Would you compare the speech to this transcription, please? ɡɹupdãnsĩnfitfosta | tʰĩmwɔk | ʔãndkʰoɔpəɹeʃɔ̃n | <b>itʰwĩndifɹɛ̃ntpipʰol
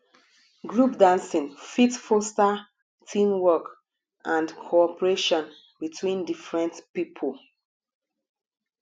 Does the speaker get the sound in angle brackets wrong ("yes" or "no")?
no